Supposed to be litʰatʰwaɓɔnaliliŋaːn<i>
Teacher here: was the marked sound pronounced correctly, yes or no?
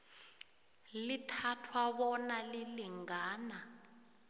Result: no